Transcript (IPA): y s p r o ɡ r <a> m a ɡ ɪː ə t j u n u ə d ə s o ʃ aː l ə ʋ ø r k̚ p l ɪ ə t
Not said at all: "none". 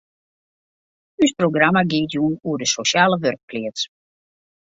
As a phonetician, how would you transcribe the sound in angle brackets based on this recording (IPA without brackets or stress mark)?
a